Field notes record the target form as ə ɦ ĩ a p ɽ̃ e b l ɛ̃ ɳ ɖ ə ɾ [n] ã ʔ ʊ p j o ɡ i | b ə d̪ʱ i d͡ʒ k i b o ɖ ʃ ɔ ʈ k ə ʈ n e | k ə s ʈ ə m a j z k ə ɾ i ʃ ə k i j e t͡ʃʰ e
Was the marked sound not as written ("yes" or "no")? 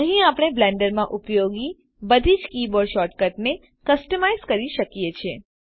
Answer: yes